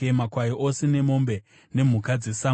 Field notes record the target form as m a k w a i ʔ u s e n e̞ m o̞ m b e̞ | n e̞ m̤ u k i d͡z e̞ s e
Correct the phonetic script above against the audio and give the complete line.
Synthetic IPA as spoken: m a k w a i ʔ o s e n e̞ m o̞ m b e̞ | n e̞ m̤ u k a d͡z e̞ s a